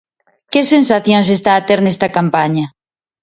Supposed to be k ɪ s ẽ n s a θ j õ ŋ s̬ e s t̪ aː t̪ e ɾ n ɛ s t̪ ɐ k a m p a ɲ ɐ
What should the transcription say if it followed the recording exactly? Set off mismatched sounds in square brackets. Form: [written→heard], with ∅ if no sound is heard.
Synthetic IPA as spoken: k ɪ s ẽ n s a θ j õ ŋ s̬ e s t̪ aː t̪ e ɾ n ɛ s t̪ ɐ k a m p a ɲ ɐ